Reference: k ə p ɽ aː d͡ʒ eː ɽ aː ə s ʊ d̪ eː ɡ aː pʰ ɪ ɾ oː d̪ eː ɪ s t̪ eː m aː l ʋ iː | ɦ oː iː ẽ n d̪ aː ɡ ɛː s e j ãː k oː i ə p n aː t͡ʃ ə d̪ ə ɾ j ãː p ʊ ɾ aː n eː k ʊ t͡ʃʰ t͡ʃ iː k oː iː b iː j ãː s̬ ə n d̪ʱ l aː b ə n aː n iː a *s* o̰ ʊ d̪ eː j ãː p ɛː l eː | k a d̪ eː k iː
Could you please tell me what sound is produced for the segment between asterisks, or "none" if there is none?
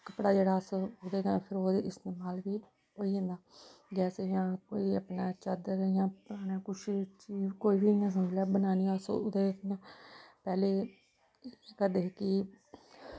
s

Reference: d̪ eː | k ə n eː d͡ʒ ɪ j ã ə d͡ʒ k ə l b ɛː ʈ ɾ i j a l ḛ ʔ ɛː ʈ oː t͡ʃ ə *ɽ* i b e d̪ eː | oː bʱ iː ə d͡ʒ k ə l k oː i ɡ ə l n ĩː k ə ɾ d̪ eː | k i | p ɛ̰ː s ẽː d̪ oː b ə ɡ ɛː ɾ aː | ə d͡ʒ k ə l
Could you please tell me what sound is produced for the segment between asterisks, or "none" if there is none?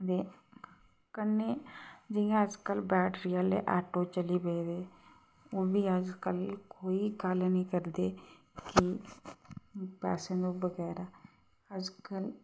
l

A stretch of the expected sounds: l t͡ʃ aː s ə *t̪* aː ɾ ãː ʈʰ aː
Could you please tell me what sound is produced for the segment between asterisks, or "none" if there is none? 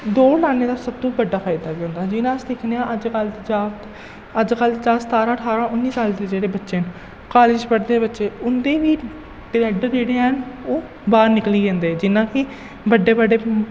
t̪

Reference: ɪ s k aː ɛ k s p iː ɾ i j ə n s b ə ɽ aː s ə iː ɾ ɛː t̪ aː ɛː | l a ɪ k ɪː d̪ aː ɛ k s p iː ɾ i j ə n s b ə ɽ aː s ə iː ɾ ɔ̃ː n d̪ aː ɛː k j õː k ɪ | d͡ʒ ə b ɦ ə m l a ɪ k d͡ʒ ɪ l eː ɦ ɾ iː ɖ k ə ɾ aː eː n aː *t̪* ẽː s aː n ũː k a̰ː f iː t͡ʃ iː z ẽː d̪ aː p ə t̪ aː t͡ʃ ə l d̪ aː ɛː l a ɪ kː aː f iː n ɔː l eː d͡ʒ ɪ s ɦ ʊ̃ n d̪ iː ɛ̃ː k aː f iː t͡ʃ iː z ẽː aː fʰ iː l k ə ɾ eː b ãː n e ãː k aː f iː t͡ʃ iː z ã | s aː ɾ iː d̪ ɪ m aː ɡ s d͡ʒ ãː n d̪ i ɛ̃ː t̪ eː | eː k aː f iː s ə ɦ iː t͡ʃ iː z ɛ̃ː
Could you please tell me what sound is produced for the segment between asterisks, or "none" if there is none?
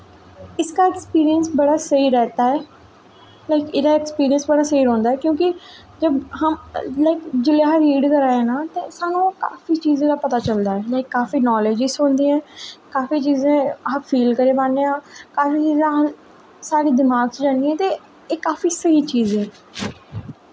t̪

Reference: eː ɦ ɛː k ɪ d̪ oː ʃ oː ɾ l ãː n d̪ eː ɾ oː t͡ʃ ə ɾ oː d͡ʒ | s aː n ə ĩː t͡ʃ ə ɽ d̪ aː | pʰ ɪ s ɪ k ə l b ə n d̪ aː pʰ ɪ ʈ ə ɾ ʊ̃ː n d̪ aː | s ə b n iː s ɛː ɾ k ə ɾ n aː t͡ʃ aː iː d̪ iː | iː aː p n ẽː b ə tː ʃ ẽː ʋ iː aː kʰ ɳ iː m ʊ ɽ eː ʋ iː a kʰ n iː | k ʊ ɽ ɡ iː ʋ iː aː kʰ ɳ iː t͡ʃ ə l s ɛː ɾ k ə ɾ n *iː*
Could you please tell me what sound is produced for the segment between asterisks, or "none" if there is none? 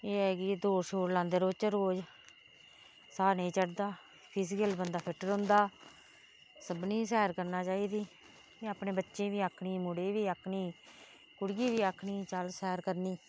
iː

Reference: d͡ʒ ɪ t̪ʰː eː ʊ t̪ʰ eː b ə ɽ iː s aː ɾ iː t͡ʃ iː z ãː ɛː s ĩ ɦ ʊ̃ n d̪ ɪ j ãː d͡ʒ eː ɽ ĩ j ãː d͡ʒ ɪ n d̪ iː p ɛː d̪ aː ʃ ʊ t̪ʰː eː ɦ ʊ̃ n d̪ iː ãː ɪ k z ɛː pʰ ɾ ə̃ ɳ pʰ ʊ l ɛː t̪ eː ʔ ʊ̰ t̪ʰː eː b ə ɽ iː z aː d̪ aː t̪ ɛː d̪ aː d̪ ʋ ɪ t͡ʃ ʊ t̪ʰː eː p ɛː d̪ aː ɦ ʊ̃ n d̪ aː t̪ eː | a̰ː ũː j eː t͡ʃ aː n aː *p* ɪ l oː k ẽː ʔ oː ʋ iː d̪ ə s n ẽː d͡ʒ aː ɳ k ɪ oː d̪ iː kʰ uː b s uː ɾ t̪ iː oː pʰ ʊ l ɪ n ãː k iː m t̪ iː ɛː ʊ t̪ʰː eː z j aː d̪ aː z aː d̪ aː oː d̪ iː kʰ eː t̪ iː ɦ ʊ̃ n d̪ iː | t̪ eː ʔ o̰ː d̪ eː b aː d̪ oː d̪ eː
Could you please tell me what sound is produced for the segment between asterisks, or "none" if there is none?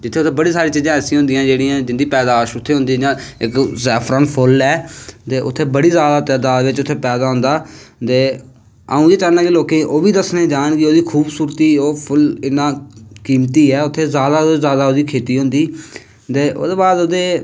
k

